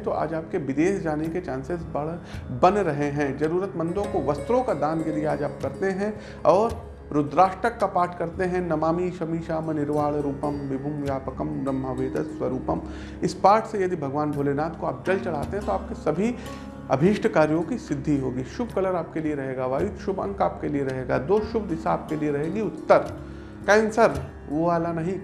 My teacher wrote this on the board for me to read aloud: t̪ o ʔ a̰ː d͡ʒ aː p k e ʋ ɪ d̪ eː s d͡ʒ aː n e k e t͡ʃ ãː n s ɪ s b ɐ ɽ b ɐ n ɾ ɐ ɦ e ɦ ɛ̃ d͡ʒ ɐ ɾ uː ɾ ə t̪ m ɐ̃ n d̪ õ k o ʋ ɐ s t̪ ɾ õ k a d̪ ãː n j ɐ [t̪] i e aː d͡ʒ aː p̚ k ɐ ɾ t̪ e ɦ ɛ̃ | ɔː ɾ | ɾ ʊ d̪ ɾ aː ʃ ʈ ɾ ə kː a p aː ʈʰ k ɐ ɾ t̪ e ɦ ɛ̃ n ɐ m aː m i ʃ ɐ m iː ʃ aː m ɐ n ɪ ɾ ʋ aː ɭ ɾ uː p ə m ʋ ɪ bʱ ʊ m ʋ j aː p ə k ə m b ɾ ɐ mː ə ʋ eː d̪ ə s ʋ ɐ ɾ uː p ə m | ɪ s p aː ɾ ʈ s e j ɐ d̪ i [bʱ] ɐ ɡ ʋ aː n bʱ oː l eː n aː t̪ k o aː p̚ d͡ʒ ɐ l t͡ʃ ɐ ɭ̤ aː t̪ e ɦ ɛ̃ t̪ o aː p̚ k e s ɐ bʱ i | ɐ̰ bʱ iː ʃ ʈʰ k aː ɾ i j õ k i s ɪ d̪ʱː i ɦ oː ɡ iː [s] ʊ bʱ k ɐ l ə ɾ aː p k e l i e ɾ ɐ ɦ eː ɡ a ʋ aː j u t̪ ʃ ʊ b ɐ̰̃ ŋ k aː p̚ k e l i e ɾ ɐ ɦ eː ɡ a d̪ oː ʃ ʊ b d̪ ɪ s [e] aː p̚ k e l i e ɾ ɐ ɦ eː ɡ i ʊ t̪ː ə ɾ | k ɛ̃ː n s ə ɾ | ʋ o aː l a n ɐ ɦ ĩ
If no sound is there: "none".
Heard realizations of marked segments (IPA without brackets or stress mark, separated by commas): d̪, bʱ, ʃ, a